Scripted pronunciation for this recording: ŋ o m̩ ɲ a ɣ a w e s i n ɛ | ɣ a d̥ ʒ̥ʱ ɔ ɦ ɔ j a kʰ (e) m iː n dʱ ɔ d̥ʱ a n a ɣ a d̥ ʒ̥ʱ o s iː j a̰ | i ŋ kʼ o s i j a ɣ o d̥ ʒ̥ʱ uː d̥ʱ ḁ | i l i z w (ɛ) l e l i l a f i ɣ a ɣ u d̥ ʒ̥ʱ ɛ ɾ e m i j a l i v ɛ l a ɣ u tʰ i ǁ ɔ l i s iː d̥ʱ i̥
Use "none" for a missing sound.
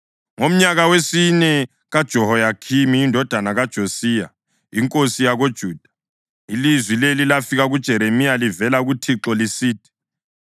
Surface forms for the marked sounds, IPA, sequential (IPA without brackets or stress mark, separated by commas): i, i